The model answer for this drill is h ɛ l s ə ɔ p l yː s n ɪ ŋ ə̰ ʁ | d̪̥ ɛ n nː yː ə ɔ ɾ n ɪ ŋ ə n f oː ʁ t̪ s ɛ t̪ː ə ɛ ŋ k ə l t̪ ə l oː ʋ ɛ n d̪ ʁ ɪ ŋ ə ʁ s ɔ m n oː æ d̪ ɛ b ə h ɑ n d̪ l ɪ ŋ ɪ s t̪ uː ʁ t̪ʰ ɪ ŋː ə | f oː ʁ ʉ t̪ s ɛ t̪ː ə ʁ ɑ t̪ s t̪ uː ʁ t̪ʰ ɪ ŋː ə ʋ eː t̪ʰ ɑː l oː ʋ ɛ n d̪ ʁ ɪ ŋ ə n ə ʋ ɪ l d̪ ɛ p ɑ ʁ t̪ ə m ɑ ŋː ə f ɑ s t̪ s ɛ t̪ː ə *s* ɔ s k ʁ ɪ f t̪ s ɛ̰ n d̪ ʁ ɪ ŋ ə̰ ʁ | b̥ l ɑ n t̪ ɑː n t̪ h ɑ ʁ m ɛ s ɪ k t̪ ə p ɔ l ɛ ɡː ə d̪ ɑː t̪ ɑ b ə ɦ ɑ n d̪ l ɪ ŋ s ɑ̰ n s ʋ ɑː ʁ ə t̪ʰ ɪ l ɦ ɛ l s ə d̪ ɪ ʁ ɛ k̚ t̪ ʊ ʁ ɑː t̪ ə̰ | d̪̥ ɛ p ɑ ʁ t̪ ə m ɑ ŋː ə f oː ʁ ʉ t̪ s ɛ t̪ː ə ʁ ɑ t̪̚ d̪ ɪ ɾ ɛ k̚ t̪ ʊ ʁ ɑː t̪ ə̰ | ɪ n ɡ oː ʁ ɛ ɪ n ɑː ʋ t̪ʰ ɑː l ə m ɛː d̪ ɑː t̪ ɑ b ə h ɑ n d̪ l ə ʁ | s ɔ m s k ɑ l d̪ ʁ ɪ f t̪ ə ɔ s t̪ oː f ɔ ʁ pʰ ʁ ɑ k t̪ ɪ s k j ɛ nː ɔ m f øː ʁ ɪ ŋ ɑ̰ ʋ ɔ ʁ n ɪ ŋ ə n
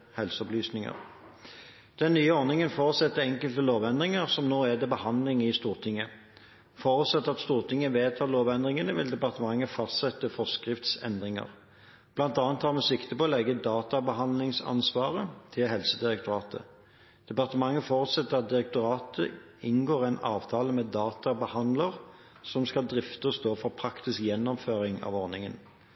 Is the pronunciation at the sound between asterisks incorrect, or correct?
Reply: incorrect